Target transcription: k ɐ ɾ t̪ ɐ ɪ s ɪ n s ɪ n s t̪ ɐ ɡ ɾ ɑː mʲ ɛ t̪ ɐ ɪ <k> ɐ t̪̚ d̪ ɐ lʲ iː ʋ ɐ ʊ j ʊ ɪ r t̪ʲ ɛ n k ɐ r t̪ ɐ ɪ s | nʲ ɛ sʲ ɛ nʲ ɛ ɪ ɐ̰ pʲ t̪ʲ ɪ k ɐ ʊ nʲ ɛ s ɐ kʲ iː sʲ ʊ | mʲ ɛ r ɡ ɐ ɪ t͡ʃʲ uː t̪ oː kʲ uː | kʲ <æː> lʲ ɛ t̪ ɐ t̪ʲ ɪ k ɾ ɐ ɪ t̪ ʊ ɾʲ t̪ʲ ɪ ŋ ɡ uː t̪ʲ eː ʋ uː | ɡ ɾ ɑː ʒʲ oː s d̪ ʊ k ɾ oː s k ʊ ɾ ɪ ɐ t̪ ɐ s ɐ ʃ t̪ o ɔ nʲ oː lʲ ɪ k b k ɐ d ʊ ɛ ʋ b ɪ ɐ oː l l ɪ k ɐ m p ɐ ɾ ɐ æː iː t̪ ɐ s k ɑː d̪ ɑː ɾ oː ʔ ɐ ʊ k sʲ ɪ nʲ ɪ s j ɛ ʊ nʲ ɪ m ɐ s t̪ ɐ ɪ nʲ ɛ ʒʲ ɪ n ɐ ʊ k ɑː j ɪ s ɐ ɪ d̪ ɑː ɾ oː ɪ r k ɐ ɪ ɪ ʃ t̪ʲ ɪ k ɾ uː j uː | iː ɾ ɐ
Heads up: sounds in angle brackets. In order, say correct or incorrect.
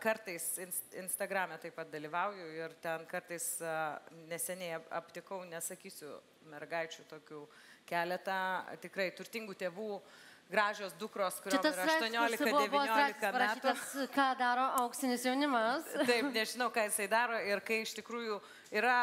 incorrect: p, correct

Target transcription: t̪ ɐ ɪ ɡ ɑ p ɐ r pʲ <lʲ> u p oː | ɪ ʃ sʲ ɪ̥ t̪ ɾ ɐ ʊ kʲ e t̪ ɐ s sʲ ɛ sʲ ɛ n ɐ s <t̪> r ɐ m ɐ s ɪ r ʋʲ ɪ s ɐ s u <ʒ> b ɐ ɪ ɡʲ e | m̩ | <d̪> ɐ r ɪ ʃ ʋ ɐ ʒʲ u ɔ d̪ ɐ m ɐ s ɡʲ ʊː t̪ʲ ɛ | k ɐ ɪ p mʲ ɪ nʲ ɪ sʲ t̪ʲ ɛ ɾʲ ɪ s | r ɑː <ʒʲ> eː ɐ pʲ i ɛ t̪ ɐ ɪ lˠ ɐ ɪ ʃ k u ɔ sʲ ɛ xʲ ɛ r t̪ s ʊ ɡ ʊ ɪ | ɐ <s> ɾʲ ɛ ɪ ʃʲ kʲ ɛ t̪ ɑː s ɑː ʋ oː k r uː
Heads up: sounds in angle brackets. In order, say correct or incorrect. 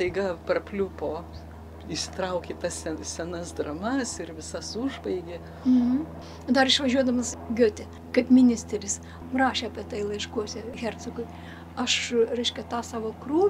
correct, incorrect: d̪, correct, correct, incorrect: ʃʲ, incorrect: ʃ

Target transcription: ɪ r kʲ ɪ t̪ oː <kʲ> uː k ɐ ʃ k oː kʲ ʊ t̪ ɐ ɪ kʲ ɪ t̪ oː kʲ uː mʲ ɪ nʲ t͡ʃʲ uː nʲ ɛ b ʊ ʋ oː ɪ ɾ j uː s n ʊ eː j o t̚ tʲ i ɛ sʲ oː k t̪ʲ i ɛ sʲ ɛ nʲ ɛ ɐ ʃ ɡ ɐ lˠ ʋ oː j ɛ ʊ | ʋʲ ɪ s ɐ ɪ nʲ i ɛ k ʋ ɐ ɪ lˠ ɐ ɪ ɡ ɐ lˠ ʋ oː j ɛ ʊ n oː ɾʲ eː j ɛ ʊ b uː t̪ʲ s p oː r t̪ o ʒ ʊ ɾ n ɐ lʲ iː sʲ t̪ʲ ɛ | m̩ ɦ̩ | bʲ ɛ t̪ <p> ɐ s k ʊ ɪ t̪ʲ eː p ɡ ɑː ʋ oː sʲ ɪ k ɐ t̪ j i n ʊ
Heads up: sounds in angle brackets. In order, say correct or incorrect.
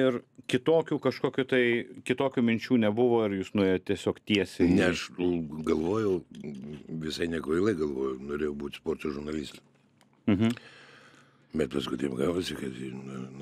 correct, correct

